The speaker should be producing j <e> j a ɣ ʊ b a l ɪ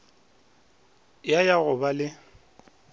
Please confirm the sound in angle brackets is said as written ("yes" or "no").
no